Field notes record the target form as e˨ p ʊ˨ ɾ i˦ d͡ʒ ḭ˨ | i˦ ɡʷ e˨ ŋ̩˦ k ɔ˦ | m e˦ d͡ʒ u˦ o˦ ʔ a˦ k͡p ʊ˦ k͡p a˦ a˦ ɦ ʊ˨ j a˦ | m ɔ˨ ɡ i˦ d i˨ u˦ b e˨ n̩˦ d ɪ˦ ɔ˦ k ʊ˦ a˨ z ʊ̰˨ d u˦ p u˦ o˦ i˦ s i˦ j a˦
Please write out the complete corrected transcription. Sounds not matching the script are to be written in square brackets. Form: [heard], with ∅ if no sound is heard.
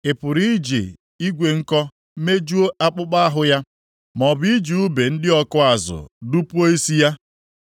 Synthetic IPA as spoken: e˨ p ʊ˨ ɾ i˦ d͡ʒ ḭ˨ | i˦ ɡʷ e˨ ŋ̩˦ k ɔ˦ | m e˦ d͡ʒ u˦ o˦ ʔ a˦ k͡p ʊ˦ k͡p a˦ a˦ ɦ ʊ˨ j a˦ | m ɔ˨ [b] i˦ [d͡ʒ] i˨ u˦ b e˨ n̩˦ d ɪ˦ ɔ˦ k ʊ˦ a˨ z ʊ̰˨ d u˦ p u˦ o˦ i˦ s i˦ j a˦